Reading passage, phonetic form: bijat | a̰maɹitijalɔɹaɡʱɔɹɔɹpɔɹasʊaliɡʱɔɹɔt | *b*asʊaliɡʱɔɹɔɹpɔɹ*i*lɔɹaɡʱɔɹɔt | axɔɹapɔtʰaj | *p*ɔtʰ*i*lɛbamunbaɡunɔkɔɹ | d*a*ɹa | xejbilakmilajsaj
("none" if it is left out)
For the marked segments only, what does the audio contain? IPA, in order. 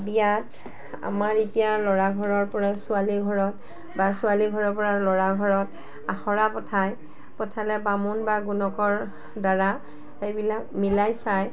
b, a, p, a, a

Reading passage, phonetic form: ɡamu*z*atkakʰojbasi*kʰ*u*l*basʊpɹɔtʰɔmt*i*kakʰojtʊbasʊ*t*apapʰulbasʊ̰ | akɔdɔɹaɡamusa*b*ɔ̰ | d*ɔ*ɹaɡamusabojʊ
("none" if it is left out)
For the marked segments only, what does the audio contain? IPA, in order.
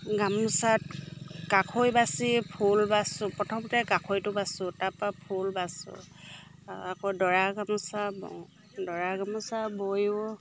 s, pʰ, l, ɛ, t, b, ɔ

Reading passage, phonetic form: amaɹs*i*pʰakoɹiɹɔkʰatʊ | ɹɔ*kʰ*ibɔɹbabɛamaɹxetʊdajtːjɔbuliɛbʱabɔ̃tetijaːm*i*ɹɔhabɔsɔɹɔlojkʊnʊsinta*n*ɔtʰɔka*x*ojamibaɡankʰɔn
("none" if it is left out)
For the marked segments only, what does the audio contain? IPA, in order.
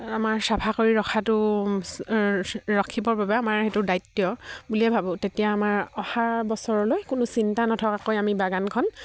a, kʰ, a, n, k

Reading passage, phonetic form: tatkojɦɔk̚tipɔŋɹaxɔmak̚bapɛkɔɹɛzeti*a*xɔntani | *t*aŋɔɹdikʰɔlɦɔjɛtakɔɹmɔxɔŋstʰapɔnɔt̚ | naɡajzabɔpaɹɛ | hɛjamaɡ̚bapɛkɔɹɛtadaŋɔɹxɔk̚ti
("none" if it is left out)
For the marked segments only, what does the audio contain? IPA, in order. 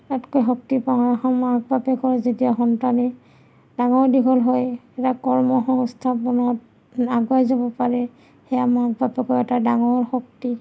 a, d

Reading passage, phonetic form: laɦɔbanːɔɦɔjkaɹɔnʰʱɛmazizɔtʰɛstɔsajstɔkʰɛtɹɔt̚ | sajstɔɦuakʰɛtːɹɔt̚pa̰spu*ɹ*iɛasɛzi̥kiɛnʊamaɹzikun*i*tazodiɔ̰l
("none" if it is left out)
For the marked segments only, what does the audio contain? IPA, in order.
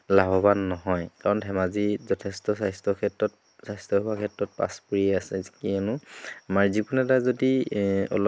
ɹ, ɛ

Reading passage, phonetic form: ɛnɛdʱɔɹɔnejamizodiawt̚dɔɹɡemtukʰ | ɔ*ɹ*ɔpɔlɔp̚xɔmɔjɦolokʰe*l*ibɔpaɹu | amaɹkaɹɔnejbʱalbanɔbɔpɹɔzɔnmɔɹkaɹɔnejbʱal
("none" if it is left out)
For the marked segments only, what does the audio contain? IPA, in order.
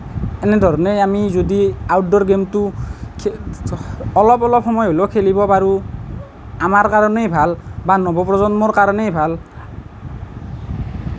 l, l

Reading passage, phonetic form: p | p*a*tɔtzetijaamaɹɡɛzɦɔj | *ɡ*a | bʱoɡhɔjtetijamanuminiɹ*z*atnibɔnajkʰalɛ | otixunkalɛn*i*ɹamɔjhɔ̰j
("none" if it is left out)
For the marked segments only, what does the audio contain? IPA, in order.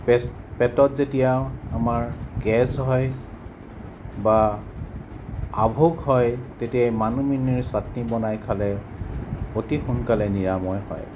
ɛ, b, s, i

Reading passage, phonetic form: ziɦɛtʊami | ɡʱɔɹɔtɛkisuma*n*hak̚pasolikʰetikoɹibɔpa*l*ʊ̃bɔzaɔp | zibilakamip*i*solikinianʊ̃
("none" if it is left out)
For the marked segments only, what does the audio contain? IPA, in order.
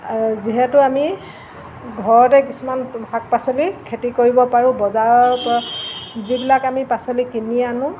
n, ɹ, a

